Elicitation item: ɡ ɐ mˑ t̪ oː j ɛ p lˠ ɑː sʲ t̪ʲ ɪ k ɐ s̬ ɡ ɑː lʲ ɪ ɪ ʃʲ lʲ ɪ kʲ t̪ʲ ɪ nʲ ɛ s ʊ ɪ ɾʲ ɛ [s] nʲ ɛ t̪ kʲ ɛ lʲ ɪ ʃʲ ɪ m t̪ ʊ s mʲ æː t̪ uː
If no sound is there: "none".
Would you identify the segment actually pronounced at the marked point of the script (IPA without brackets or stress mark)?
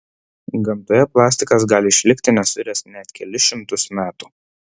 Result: s